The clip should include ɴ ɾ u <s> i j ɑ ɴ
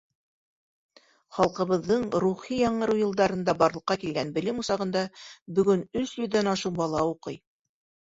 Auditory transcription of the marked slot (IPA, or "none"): χ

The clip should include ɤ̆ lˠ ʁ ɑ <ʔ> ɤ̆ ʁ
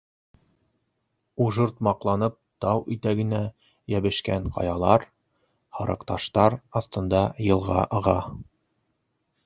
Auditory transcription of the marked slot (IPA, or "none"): ʔ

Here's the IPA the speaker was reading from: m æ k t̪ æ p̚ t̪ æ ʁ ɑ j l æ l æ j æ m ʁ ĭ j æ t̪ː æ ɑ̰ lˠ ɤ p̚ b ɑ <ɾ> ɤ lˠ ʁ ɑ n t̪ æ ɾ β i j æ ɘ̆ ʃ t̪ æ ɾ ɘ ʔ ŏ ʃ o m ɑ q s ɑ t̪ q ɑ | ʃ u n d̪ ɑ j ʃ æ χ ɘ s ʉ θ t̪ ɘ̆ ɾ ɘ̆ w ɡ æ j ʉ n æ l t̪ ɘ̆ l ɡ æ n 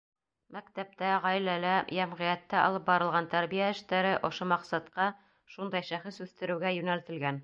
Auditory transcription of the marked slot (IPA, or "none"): ɾ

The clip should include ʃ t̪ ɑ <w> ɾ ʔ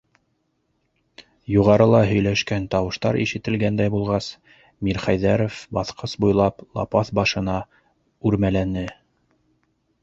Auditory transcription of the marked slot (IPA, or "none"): none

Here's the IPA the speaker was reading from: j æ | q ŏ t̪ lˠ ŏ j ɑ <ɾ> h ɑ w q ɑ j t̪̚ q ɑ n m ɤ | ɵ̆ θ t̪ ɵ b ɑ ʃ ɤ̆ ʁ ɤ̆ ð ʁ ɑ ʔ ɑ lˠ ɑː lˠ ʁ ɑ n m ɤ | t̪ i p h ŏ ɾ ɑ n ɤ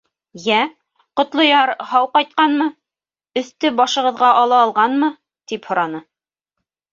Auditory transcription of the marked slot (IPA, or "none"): ɾ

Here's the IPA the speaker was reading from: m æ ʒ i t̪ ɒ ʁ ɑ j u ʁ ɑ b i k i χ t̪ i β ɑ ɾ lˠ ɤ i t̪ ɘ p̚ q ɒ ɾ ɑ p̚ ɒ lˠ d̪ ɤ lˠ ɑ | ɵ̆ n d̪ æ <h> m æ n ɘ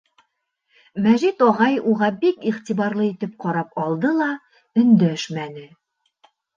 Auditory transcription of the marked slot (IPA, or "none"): ʃ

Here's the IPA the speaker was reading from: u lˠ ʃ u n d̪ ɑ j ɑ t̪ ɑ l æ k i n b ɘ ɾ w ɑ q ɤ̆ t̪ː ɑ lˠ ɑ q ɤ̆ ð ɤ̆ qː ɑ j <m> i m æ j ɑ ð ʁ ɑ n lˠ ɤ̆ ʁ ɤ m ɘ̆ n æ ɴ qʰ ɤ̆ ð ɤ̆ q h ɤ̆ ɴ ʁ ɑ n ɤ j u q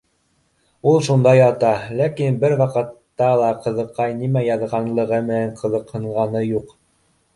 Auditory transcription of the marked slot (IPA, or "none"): n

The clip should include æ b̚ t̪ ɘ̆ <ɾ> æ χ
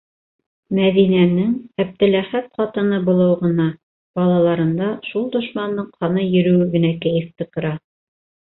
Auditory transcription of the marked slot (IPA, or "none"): l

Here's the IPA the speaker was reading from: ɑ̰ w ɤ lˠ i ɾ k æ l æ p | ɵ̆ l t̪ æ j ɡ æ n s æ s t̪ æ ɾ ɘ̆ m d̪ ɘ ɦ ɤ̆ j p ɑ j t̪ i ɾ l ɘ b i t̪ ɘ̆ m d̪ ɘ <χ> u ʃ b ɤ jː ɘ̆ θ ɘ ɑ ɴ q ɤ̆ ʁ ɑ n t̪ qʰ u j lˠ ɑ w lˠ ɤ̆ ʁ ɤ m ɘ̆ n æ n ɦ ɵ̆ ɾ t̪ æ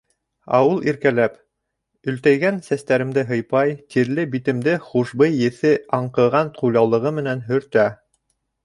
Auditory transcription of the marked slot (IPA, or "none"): χ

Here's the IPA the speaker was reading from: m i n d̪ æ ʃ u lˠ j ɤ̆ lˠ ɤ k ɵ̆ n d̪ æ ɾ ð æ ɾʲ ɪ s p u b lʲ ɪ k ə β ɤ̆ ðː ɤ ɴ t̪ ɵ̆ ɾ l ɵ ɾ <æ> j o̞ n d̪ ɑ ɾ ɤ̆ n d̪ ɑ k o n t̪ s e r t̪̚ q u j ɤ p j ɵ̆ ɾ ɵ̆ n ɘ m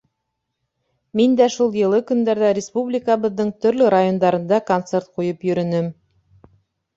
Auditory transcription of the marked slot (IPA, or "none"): a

